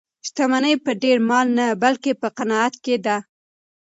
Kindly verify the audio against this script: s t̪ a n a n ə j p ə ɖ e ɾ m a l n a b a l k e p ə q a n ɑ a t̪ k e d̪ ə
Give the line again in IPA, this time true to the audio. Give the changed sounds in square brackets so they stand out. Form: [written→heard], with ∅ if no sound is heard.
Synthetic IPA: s t̪ a [n→m] a n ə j p ə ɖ e ɾ m [a→ɑ] l n a b a l k e p ə q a n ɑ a t̪ k e d̪ [ə→a]